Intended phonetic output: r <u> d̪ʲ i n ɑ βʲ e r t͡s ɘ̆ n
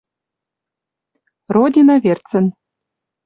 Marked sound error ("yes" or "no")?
yes